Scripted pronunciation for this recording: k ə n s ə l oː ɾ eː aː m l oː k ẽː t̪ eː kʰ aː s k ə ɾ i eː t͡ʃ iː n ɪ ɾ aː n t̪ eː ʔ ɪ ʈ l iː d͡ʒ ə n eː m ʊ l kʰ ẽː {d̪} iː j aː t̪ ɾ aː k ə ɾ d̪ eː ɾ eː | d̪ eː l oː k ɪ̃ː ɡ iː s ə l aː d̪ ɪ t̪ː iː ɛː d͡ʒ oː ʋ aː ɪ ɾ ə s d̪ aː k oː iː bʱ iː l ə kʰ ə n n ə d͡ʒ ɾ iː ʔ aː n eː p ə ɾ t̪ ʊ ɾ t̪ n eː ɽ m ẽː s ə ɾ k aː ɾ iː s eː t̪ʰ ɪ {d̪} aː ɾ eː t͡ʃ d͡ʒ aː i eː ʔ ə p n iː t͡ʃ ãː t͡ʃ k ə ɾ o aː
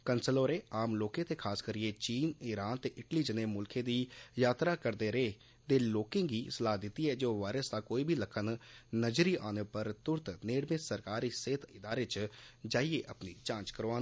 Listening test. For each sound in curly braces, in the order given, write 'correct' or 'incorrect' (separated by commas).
correct, correct